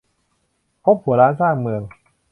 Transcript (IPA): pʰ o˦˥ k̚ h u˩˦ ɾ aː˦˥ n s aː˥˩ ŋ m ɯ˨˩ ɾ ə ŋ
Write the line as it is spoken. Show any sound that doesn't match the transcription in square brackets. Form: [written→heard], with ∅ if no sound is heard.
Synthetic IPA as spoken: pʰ o˦˥ [k̚→p̚] h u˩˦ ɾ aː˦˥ n s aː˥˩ ŋ m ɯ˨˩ [ɾ→∅] ə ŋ